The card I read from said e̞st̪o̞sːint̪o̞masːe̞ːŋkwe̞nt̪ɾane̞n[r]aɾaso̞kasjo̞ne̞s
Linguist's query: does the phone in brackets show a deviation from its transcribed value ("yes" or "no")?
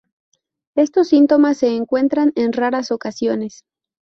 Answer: no